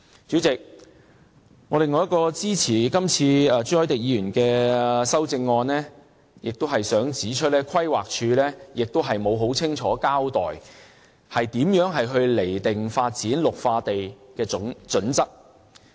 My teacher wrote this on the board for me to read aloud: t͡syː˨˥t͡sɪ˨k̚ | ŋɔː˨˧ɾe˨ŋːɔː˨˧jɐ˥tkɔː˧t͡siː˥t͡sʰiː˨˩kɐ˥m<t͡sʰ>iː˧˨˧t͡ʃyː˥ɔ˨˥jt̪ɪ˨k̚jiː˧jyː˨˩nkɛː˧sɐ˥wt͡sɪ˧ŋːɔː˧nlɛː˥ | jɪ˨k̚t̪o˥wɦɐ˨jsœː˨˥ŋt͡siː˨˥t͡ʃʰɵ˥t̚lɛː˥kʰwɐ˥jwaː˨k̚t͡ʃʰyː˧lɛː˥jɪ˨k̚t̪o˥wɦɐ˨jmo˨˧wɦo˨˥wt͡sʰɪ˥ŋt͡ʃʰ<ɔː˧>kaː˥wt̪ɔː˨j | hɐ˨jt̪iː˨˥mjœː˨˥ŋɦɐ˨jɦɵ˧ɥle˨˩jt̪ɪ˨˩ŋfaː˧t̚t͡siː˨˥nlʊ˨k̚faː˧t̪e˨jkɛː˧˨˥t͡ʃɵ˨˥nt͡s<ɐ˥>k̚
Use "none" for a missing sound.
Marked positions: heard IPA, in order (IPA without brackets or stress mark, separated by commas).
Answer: t͡sʰ, ɔː˨˥, ɐ˥